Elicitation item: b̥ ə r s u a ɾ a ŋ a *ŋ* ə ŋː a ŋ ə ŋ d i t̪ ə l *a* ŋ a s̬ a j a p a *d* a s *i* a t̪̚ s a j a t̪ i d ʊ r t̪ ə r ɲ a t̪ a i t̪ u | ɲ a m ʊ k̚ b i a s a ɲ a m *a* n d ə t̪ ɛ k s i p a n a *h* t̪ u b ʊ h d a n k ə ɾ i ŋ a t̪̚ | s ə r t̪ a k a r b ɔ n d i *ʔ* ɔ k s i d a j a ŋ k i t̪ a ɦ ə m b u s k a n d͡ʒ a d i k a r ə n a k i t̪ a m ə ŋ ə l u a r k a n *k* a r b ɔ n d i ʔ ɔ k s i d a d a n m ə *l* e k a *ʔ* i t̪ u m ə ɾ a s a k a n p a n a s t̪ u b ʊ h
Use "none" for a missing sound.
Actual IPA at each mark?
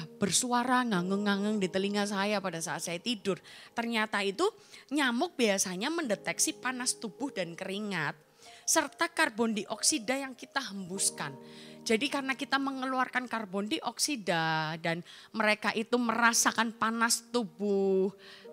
ŋ, i, d, a, ə, s, ʔ, k, ɾ, ʔ

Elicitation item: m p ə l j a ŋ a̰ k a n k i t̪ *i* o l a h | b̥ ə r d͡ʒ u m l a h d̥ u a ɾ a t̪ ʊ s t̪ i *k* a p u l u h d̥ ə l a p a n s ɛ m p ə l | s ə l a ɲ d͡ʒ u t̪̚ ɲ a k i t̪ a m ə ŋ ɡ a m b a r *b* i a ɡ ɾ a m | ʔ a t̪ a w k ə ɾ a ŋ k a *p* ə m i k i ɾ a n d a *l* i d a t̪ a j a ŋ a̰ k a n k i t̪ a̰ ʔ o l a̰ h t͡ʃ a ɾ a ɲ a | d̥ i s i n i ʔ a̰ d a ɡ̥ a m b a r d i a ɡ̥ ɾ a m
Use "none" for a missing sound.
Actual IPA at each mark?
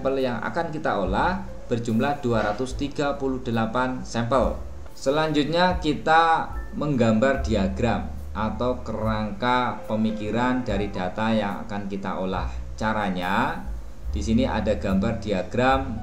a, ɡ, d, p, ɾ

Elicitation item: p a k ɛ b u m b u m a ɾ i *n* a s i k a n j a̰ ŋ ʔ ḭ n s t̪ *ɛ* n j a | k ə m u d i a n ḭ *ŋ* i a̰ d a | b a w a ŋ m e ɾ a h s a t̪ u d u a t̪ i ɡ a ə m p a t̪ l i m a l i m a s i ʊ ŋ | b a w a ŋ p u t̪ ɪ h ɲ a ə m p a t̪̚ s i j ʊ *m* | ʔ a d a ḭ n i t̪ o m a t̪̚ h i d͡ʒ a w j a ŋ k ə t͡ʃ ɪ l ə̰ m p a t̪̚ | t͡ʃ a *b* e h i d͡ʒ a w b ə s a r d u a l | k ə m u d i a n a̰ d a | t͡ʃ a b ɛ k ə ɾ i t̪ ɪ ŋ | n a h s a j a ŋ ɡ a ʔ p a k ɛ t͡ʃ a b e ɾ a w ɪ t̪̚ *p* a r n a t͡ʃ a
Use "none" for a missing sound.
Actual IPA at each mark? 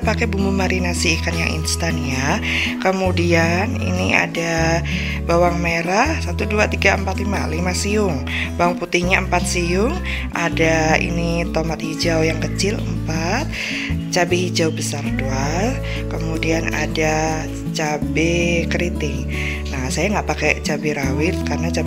n, a, n, ŋ, b, k

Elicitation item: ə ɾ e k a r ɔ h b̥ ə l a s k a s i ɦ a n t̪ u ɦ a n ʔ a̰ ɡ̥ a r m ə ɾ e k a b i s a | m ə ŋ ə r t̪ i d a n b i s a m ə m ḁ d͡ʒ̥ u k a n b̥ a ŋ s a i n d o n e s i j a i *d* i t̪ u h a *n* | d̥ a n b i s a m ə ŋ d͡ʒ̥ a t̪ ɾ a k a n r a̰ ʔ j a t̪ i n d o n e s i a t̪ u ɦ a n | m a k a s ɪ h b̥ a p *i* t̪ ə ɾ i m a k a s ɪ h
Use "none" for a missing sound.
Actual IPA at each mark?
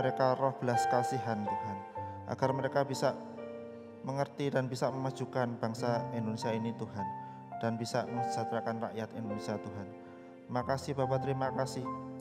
n, n, a

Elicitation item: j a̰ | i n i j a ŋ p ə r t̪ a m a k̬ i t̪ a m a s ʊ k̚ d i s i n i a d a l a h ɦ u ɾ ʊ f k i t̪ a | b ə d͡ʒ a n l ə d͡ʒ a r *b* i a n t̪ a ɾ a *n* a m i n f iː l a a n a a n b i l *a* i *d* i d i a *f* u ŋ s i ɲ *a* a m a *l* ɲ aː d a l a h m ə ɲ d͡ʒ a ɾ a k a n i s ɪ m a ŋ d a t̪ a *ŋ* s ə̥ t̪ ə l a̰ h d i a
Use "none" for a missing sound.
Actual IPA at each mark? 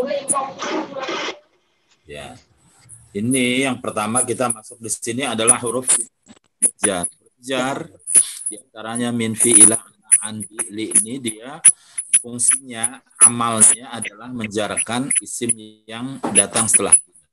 d, ɲ, i, n, f, a, l, ŋ

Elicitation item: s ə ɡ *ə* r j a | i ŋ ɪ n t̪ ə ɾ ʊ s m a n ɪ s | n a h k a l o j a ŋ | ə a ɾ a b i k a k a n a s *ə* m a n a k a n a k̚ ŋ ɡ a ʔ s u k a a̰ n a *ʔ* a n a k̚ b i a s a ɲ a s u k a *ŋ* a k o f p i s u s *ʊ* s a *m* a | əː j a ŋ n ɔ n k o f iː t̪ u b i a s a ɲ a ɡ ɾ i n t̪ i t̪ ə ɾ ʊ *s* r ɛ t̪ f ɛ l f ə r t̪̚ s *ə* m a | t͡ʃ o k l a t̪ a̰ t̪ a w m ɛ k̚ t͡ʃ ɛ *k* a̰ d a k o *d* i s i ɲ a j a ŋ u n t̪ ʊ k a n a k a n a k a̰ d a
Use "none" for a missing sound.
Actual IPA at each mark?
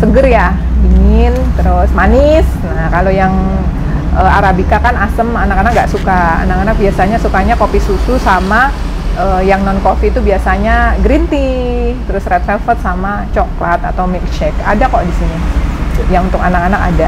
ə, ə, k, ɲ, u, m, s, a, k, d

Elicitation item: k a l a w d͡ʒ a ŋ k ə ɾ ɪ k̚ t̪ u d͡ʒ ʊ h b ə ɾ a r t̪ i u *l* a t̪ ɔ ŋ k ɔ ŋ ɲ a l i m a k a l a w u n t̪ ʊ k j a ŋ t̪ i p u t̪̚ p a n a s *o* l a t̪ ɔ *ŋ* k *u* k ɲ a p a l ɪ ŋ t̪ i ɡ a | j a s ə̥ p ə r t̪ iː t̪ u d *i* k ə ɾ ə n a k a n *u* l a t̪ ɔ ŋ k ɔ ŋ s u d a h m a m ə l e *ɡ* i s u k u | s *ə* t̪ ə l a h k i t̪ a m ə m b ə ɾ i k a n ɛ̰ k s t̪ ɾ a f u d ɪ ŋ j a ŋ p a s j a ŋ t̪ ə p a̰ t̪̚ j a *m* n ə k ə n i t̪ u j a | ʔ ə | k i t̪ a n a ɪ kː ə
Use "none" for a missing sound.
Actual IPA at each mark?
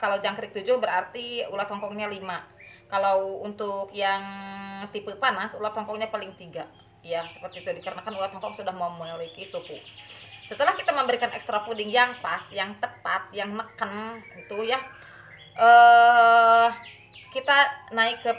l, u, ŋ, ɔ, i, u, k, ə, ŋ

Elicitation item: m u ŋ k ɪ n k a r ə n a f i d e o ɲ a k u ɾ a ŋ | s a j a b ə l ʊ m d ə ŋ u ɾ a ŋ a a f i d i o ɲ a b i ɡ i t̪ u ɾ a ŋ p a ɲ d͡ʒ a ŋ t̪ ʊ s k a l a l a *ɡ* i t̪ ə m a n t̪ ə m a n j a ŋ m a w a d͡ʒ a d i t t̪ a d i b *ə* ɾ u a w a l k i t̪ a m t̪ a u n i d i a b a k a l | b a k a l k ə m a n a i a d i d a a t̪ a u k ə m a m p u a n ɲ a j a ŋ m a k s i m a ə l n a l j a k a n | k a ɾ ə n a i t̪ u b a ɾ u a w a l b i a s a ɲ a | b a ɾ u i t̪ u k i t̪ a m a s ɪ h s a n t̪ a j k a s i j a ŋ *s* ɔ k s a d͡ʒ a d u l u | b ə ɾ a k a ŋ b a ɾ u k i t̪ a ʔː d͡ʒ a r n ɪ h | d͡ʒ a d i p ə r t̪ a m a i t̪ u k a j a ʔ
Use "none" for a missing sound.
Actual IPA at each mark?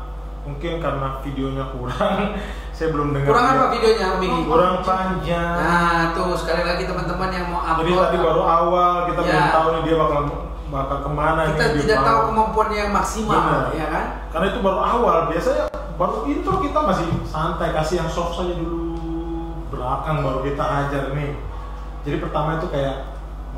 ɡ, a, s

